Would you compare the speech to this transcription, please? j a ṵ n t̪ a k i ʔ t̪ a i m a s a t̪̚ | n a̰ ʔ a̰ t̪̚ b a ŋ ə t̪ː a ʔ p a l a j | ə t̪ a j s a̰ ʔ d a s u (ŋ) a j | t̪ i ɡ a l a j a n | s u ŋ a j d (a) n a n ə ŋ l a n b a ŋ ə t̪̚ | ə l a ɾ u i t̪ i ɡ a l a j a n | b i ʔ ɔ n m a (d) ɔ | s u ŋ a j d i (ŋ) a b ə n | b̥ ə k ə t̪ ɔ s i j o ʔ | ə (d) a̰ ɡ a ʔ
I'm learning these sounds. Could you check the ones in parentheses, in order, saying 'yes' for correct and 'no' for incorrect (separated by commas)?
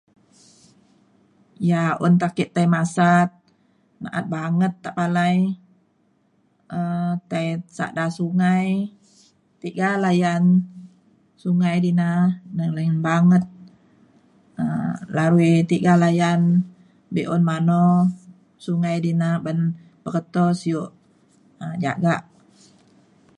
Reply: yes, no, no, no, no